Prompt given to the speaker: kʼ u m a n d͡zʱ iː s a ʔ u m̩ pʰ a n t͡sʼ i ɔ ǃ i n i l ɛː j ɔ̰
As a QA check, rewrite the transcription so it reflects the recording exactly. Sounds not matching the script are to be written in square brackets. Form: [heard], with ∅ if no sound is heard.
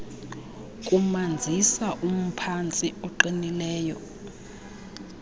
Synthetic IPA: kʼ u m a n d͡zʱ [i] s a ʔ u m̩ pʰ a n t͡sʼ i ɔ ǃ i n i l ɛː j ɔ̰

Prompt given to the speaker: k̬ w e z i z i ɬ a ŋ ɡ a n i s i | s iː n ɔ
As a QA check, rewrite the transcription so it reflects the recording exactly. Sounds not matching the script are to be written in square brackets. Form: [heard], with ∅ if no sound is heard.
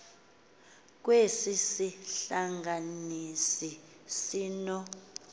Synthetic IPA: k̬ w e [s] i [s] i ɬ a ŋ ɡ a n i s i | s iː n ɔ

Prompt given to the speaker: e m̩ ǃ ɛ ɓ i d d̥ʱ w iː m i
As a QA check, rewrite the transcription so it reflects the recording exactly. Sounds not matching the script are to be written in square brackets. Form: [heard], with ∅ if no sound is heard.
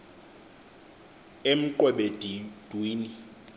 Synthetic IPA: e m̩ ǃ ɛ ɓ [e] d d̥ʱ w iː [n] i

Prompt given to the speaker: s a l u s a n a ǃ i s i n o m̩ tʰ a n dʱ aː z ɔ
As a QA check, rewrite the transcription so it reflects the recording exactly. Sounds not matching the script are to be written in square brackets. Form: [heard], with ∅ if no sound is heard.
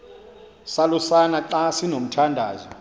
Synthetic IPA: s a l u s a n a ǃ [a] s i n o m̩ tʰ a n dʱ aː z ɔ

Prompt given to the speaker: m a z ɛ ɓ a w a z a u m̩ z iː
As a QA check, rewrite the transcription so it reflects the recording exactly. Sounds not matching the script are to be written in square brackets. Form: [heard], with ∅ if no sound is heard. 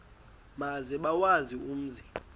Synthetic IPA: m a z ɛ ɓ a w a z [i] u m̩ z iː

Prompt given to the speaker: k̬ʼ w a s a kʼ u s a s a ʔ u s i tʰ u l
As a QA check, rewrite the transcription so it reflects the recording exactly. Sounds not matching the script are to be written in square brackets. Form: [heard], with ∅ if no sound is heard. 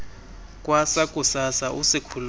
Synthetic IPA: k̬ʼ w a s a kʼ u s a s a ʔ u s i [kʰ] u l

